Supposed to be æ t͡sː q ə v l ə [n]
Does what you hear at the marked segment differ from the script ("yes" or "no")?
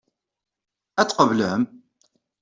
yes